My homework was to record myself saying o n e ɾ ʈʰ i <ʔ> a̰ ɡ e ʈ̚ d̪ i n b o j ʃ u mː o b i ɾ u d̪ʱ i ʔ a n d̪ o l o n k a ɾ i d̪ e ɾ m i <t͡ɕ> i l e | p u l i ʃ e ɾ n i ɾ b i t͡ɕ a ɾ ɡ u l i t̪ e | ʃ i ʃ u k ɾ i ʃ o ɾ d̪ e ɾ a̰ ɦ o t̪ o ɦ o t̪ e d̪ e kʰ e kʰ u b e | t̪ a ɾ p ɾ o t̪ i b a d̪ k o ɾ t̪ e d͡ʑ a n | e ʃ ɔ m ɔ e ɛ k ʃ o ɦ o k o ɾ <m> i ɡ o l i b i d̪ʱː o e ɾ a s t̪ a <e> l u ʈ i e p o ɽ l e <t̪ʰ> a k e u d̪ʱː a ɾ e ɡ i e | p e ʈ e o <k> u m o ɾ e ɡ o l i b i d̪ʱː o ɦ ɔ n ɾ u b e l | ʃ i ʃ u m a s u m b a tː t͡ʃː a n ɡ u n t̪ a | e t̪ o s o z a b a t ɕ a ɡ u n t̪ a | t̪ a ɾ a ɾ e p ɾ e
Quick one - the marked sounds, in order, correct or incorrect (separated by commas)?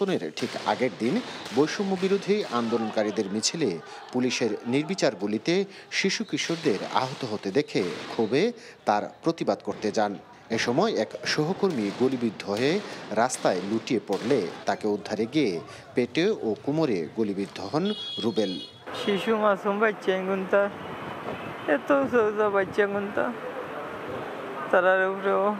incorrect, incorrect, correct, correct, incorrect, correct